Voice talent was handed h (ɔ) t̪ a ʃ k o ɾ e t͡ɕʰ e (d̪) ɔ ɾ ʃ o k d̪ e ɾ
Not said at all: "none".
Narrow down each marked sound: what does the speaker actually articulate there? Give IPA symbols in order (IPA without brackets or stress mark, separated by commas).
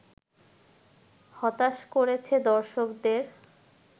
ɔ, d̪